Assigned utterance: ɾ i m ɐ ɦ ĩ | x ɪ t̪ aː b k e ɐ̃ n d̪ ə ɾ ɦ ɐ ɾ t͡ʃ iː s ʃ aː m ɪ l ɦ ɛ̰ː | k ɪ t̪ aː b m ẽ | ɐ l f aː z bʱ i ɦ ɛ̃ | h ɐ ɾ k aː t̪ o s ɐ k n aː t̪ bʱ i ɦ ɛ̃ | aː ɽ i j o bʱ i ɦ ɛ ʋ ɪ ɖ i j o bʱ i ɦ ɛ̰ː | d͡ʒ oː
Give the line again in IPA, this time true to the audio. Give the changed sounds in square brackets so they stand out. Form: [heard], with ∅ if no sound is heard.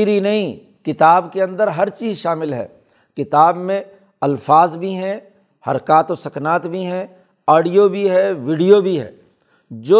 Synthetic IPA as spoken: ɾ i [n] ɐ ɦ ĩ | [k] ɪ t̪ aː b k e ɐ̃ n d̪ ə ɾ ɦ ɐ ɾ t͡ʃ iː [z] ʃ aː m ɪ l ɦ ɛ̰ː | k ɪ t̪ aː b m ẽ | ɐ l f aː z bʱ i ɦ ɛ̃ | h ɐ ɾ k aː t̪ o s ɐ k n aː t̪ bʱ i ɦ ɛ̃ | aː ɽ i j o bʱ i ɦ ɛ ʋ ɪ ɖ i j o bʱ i ɦ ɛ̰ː | d͡ʒ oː